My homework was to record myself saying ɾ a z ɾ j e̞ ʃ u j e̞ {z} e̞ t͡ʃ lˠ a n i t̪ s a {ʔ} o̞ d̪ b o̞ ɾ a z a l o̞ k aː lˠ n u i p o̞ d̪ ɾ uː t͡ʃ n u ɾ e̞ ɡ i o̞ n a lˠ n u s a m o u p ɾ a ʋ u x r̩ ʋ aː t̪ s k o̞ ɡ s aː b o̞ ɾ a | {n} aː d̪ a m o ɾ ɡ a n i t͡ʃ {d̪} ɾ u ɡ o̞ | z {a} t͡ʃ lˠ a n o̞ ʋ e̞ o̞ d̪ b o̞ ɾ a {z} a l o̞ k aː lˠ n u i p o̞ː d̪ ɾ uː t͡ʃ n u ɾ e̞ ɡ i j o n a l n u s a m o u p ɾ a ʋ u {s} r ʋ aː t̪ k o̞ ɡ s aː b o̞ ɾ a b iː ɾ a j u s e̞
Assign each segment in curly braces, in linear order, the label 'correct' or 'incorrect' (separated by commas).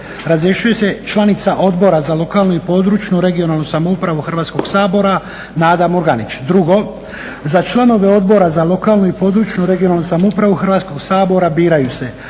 incorrect, correct, correct, correct, correct, correct, incorrect